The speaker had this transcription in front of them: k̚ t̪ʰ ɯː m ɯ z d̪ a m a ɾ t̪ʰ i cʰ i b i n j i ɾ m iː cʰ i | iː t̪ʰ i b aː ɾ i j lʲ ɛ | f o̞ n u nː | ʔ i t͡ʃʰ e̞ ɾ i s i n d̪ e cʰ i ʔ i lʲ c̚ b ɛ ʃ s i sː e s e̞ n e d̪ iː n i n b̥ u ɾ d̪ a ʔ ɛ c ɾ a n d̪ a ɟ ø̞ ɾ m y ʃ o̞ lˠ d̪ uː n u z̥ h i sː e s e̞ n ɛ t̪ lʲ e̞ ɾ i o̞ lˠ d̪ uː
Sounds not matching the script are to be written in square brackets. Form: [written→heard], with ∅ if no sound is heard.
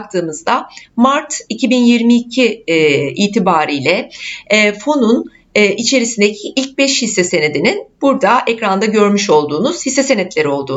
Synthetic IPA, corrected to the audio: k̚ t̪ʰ ɯː m ɯ z d̪ a m a ɾ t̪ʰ i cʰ i b i n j i ɾ m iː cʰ i | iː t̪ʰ i b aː ɾ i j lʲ ɛ | f o̞ n u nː | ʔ i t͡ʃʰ e̞ ɾ i s i n d̪ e cʰ i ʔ i lʲ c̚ b ɛ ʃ [s→h] i sː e s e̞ n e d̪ [iː→i] n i n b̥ u ɾ d̪ a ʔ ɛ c ɾ a n d̪ a ɟ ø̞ ɾ m y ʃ o̞ lˠ d̪ uː n u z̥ h i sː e s e̞ n ɛ t̪ lʲ e̞ ɾ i o̞ lˠ d̪ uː